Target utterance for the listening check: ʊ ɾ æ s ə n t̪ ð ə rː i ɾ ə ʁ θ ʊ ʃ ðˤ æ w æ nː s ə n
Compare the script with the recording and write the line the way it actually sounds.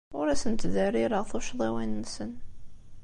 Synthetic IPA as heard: ʊ ɾ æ s ə n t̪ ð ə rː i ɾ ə ʁ θ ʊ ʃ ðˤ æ w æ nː s ə n